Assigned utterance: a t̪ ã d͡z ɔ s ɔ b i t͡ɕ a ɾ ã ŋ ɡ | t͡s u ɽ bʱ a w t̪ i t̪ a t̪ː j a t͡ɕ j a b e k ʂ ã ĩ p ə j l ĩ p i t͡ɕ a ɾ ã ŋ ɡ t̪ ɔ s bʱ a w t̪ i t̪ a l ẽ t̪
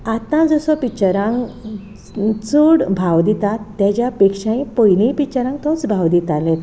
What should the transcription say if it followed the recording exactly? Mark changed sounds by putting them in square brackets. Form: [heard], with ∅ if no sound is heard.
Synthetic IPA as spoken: a t̪ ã d͡z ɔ s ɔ [p] i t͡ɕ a ɾ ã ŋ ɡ | t͡s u ɽ bʱ a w [d̪] i t̪ a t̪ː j a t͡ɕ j a [p] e k ʂ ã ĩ p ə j l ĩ p i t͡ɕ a ɾ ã ŋ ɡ t̪ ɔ [t͡s] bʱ a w [d̪] i t̪ a l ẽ t̪